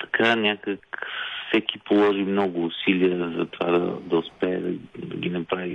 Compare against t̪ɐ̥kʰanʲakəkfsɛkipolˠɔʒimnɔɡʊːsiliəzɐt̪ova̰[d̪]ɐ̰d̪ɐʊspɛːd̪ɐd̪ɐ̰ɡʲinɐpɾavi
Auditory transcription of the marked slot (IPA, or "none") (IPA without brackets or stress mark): d̪